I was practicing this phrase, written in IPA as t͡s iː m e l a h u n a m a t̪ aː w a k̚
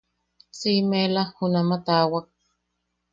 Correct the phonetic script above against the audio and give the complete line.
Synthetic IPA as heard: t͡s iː m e l a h u n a m a t̪ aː w a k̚